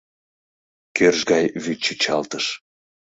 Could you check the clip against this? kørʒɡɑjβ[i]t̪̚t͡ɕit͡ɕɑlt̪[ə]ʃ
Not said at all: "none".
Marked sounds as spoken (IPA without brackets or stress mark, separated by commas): y, ə